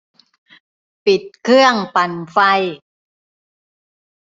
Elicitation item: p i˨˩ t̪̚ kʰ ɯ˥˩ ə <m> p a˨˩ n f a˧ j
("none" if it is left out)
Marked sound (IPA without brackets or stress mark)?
ŋ